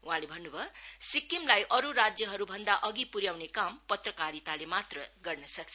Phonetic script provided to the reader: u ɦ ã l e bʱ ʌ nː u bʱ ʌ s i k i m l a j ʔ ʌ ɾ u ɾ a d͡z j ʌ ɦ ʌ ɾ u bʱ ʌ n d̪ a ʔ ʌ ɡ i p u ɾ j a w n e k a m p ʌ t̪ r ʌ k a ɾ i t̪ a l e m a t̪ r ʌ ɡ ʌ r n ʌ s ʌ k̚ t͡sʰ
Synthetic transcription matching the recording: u ɦ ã l e bʱ ʌ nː u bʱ ʌ s i k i m l a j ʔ ʌ ɾ u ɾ a d͡z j ʌ ɦ ʌ ɾ u bʱ ʌ n d̪ a ʔ ʌ ɡ i p u ɾ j a w n e k a m p ʌ t̪ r ʌ k a ɾ i t̪ a l e m a t̪ r ʌ ɡ ʌ r n ʌ s ʌ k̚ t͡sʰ